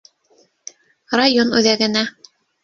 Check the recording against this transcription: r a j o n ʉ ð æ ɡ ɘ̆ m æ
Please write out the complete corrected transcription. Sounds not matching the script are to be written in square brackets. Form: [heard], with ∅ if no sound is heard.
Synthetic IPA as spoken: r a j o n ʉ ð æ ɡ ɘ̆ [n] æ